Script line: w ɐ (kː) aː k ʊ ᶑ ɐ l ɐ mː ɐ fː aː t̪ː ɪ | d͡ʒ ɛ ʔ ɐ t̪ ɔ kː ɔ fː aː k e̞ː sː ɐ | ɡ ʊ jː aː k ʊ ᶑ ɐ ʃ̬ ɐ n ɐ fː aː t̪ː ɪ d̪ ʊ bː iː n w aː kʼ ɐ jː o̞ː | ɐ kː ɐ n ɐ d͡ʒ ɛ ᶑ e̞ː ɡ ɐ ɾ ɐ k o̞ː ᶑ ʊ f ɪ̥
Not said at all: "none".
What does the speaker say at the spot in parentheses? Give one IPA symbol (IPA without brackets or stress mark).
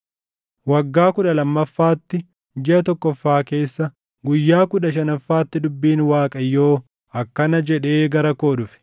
ɡː